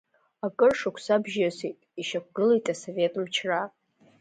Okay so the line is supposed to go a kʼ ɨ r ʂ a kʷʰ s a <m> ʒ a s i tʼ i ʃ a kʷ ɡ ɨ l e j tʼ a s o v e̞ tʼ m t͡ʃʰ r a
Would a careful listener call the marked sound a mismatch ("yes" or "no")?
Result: yes